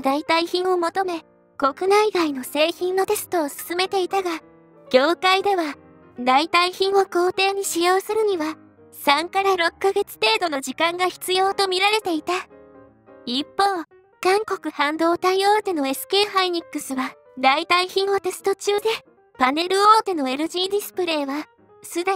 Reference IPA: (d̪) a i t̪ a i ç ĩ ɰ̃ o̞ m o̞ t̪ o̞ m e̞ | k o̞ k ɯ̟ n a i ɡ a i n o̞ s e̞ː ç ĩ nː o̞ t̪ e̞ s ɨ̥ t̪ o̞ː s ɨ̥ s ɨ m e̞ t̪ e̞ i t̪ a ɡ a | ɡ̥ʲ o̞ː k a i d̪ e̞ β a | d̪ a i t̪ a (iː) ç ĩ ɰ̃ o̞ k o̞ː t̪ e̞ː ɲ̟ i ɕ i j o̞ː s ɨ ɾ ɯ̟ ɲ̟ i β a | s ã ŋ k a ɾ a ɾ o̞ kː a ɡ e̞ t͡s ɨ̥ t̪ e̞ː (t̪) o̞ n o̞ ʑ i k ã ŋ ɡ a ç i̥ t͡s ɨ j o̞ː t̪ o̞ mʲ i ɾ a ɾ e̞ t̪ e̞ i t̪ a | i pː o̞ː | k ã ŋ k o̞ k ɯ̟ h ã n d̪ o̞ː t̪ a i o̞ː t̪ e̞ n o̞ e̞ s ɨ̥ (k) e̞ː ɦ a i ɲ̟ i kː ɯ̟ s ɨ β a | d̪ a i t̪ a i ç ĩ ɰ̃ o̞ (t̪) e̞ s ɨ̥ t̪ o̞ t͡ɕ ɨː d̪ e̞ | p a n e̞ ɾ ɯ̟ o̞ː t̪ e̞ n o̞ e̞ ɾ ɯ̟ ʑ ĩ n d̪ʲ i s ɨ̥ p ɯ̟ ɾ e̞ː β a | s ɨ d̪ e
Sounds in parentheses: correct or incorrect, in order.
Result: correct, incorrect: i, incorrect: d̪, correct, correct

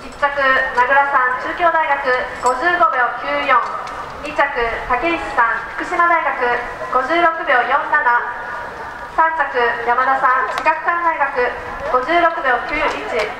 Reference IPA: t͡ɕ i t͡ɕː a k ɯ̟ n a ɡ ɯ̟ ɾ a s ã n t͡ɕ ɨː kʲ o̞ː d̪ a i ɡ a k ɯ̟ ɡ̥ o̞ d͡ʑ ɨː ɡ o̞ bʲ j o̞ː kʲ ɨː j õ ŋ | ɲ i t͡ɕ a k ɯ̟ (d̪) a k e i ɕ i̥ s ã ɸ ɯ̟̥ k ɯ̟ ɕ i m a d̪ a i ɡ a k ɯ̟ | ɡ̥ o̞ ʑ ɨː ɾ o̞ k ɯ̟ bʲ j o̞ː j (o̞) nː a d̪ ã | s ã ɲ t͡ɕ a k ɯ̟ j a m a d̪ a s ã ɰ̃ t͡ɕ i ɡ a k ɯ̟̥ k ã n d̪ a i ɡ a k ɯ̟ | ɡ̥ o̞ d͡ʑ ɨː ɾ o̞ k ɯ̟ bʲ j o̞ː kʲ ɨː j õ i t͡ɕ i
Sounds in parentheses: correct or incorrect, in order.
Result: incorrect: t̪, incorrect: õ̞

